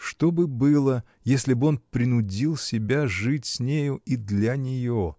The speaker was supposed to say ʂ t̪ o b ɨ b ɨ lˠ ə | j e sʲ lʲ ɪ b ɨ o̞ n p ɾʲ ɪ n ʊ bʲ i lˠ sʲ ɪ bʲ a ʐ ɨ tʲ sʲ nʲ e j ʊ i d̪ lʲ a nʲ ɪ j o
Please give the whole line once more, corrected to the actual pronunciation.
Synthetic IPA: ʂ t̪ o b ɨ b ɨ lˠ ə | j e sʲ lʲ ɪ b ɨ o̞ n p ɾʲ ɪ n ʊ dʲ i lˠ sʲ ɪ bʲ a ʐ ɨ tʲ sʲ nʲ e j ʊ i d̪ lʲ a nʲ ɪ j o